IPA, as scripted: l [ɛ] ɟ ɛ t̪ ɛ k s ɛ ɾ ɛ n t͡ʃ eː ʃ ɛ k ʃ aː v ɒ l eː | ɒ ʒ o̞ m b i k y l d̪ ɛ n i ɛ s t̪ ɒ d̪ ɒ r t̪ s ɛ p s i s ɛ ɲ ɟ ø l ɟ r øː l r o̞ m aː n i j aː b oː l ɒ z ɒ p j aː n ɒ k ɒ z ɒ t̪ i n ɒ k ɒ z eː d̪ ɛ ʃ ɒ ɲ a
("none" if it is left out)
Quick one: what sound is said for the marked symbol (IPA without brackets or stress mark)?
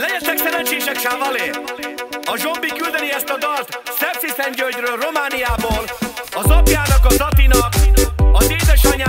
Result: ɛ